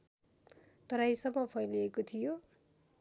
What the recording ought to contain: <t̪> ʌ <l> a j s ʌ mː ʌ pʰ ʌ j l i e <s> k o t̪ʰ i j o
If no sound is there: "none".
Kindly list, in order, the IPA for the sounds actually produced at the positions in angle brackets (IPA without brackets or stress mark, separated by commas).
t̪, ɾ, none